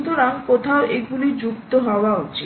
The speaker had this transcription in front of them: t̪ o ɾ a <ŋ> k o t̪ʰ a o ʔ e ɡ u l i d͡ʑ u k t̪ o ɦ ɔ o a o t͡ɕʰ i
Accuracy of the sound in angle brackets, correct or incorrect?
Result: correct